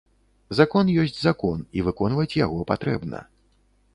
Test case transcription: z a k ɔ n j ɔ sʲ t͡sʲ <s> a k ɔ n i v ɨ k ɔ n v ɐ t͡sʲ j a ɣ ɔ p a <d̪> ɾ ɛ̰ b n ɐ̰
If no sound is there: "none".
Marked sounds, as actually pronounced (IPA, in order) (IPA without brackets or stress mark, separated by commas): z, t̪